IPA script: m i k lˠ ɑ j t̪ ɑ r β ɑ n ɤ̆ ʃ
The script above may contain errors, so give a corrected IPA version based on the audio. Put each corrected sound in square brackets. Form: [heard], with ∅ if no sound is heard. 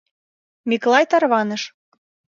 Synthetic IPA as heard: m i k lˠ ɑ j t̪ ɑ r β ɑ n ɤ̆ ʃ